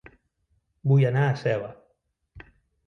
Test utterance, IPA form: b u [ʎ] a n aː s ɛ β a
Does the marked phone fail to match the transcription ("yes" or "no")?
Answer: yes